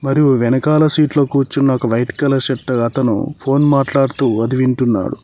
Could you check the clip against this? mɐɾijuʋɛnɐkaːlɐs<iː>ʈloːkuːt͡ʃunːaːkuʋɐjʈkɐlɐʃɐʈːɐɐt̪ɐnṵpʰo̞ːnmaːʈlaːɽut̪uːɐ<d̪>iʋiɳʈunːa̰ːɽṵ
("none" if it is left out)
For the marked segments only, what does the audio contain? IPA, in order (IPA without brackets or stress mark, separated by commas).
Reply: iː, d̪